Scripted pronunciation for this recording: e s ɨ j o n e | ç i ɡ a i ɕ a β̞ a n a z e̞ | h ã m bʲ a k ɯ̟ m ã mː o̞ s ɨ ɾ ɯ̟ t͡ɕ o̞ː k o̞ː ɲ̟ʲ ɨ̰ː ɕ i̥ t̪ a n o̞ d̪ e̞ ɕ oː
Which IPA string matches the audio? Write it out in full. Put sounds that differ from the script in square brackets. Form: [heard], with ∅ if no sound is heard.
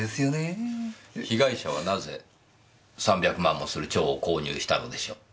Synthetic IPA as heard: e s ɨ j o n e | ç i ɡ a i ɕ a β̞ a n a z e̞ | [s] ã m bʲ a k ɯ̟ m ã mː o̞ s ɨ ɾ ɯ̟ t͡ɕ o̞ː k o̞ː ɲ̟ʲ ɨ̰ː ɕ i̥ t̪ a n o̞ d̪ e̞ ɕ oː